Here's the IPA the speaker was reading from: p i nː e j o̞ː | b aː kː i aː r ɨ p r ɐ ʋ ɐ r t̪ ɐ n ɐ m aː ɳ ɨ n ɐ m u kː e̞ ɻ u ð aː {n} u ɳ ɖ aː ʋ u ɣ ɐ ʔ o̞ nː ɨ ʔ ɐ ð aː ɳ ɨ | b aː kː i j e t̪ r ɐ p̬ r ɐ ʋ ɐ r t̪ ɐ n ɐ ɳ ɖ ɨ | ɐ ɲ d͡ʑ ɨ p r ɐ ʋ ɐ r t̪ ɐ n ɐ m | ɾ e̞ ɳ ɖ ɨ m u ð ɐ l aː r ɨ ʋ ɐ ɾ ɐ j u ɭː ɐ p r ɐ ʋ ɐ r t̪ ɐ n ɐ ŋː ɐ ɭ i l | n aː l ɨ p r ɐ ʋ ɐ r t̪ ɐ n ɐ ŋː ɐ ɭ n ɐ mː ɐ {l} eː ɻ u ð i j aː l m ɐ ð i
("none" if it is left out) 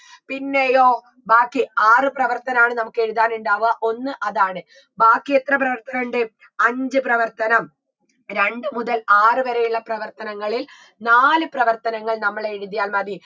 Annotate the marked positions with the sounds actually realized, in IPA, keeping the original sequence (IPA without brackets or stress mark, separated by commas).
n, ɭ